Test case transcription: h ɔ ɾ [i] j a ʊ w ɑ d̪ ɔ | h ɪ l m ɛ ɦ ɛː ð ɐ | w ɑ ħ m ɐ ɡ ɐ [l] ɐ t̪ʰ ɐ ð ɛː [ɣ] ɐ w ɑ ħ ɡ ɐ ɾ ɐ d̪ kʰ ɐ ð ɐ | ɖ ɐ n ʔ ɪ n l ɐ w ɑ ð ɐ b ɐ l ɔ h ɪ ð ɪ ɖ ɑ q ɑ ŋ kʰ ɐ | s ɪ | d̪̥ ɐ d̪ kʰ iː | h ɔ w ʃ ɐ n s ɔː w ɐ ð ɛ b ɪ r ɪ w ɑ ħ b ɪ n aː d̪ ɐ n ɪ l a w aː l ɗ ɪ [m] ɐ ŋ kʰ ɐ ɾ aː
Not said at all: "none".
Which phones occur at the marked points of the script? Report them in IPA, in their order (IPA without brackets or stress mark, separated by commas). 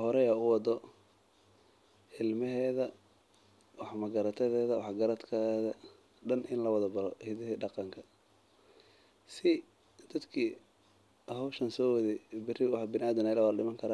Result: ɛ, ɾ, ð, m